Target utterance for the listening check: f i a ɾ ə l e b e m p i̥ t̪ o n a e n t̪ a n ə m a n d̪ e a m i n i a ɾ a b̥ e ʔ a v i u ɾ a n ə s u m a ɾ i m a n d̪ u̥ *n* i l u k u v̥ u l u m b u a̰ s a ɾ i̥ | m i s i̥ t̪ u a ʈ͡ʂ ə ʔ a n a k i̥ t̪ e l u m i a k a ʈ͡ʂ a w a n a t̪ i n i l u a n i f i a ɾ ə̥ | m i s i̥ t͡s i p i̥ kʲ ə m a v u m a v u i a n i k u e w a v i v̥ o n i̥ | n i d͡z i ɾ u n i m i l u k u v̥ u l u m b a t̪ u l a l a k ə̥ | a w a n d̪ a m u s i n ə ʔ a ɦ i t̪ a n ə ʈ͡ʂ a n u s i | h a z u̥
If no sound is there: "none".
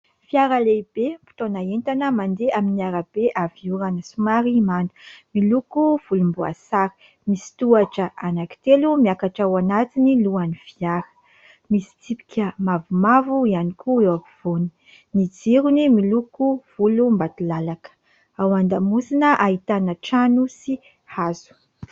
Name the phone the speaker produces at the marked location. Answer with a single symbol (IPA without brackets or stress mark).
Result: m